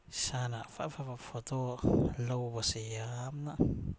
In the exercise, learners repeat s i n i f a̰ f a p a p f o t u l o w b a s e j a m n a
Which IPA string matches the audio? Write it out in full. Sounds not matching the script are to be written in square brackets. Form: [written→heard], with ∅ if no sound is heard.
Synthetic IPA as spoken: s [i→a] n [i→a] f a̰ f a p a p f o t [u→o] l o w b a s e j a m n a